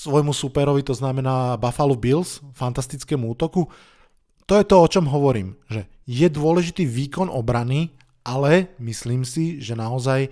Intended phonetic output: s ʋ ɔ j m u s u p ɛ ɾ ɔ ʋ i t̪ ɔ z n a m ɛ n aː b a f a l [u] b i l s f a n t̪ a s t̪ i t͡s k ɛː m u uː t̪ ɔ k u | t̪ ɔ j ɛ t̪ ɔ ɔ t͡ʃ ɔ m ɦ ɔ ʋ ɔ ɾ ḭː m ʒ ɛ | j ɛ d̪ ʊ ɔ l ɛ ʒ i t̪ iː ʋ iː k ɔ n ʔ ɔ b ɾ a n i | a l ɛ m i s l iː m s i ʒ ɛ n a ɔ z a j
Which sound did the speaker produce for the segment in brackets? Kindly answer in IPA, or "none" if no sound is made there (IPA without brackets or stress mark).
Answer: u